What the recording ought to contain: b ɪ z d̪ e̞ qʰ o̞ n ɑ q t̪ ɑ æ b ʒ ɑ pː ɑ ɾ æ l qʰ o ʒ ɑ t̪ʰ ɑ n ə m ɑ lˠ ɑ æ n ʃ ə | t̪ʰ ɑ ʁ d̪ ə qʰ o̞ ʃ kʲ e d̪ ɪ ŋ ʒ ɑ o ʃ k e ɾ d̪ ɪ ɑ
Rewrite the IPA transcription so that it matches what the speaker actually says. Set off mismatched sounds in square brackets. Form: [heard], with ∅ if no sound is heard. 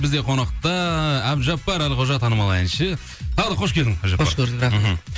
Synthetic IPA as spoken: b ɪ z d̪ e̞ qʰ o̞ n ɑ q t̪ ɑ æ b ʒ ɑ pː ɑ ɾ æ l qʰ o ʒ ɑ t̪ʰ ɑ n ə m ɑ lˠ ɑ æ n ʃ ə | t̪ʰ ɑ ʁ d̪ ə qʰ o̞ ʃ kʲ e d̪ ɪ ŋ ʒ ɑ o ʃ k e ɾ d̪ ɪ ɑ

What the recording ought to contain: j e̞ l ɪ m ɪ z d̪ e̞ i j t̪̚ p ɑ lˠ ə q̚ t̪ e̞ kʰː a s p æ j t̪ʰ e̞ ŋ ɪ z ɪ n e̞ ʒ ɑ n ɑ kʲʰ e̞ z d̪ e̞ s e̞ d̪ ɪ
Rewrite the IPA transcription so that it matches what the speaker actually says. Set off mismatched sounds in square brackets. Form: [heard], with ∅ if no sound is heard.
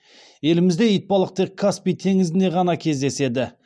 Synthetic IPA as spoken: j e̞ l ɪ m ɪ z d̪ e̞ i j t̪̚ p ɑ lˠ ə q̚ t̪ e̞ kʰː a s p [i] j t̪ʰ e̞ ŋ ɪ z ɪ n e̞ [ʁ] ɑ n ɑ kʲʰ e̞ z d̪ e̞ s e̞ d̪ ɪ

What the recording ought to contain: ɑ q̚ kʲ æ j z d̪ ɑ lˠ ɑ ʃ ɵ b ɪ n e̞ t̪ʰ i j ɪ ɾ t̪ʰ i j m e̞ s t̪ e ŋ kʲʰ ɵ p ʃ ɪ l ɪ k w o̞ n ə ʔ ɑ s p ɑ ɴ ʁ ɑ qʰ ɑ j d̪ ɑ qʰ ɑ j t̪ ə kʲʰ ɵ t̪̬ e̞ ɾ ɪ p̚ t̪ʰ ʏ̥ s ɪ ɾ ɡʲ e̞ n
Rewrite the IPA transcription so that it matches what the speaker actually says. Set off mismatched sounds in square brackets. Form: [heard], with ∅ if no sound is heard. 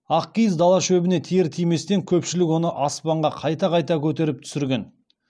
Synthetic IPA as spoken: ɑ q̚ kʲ [i] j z d̪ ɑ lˠ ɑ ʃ ɵ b ɪ n e̞ t̪ʰ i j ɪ ɾ t̪ʰ i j m e̞ s t̪ e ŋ kʲʰ ɵ p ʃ ɪ l ɪ k w o̞ n ə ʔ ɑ s p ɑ ɴ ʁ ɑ qʰ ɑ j [t̪] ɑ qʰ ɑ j t̪ [ɑ] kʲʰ ɵ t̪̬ e̞ ɾ ɪ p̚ t̪ʰ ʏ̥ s ɪ ɾ ɡʲ e̞ n

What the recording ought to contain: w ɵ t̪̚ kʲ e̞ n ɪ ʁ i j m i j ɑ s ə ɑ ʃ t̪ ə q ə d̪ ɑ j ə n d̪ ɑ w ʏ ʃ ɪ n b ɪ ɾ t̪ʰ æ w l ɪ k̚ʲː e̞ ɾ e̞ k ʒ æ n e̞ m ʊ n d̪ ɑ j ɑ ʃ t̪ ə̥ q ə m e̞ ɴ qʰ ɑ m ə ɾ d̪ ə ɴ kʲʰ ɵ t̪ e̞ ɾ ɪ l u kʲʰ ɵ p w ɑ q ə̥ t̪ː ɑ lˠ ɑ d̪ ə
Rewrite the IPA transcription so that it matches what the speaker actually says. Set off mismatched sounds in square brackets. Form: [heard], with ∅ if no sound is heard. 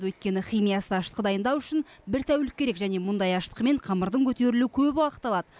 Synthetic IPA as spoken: w ɵ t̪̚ kʲ e̞ n ɪ [χ] i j m i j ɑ s ə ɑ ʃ t̪ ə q ə d̪ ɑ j ə n d̪ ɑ w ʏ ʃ ɪ n b ɪ ɾ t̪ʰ æ w l ɪ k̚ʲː e̞ ɾ e̞ k ʒ æ n e̞ m ʊ n d̪ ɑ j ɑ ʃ t̪ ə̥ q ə m e̞ ɴ qʰ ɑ m ə ɾ d̪ ə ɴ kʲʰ ɵ t̪ e̞ ɾ ɪ l u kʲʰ ɵ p w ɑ q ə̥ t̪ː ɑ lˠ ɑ d̪ ə

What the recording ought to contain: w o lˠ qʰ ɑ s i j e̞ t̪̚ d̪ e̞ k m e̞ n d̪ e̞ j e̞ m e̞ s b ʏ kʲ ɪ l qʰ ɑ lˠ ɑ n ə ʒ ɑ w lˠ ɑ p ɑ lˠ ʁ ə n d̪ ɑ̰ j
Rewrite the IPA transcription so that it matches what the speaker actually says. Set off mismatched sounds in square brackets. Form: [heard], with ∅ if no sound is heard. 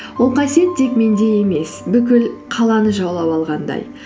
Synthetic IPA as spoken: w o lˠ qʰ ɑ s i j e̞ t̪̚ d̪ e̞ k m e̞ n d̪ e̞ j e̞ m e̞ s b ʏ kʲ ɪ l qʰ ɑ lˠ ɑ n ə ʒ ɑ w lˠ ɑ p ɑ lˠ ʁ [ɑ] n d̪ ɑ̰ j

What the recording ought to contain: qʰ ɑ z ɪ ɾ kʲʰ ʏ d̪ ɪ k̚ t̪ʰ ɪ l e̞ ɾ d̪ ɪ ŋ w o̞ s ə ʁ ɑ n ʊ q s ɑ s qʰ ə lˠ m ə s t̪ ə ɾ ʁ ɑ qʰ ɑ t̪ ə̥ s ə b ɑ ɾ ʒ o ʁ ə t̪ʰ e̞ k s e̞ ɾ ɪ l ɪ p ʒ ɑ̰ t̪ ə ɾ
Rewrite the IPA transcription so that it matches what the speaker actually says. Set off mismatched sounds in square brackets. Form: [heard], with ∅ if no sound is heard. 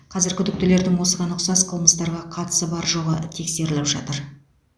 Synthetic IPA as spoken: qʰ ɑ z ɪ ɾ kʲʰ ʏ d̪ ɪ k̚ [t̪] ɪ l e̞ ɾ d̪ ɪ ŋ w o̞ s ə ʁ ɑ n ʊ q s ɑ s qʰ ə lˠ m ə s t̪ [ɑ] ɾ ʁ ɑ qʰ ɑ t̪ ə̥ s ə b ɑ ɾ ʒ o ʁ ə t̪ʰ e̞ k s e̞ ɾ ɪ l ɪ p ʒ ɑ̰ t̪ ə ɾ

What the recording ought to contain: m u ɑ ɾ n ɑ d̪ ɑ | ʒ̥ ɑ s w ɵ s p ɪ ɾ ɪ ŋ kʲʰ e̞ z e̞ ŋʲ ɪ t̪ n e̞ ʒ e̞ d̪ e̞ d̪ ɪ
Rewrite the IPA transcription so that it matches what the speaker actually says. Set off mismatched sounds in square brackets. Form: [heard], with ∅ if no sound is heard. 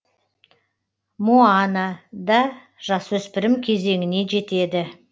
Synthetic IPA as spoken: m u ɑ [∅] n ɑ d̪ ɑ | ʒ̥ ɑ s w ɵ s p ɪ ɾ ɪ [m] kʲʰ e̞ z e̞ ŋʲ ɪ [∅] n e̞ ʒ e̞ [t̪] e̞ d̪ ɪ

